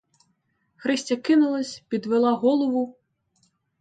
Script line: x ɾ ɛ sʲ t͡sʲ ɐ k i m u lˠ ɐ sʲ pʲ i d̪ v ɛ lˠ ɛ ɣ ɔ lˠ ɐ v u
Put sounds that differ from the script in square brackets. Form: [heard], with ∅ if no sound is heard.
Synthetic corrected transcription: x ɾ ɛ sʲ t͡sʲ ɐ k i [n] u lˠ ɐ sʲ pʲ i d̪ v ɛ lˠ [a] ɣ ɔ lˠ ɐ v u